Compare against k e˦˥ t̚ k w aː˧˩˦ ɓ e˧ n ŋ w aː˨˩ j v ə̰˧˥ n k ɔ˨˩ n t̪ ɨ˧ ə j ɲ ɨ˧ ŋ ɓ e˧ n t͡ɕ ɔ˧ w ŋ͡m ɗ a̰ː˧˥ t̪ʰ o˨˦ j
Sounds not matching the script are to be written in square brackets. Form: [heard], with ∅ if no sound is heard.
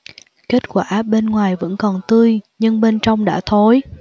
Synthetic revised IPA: k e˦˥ t̚ k w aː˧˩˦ ɓ e˧ n ŋ w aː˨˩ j v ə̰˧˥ n k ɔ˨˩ n t̪ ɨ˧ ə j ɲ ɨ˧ ŋ ɓ e˧ n t͡ɕ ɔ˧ w ŋ͡m ɗ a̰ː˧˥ t̪ʰ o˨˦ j